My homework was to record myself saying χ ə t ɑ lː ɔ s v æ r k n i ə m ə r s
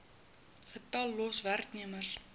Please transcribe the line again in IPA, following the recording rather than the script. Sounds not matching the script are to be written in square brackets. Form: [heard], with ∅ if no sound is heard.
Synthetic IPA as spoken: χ ə t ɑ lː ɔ s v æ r k n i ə m ə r s